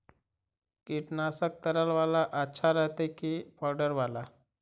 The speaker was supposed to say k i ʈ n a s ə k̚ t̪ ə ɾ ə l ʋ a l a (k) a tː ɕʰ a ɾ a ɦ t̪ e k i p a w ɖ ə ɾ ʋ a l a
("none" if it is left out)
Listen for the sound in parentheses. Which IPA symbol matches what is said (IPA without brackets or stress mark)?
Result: ʔ